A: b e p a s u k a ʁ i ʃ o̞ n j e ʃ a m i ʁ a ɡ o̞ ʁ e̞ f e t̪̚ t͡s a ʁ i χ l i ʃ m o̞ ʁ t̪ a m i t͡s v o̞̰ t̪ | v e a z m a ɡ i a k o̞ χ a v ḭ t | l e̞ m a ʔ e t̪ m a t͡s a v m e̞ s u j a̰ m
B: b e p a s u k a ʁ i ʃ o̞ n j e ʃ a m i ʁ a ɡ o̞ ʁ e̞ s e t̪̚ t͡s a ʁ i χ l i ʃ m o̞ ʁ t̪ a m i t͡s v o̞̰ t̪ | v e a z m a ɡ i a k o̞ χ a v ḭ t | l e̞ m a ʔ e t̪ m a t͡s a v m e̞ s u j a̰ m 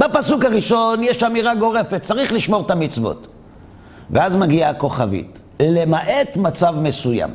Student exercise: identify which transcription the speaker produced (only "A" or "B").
A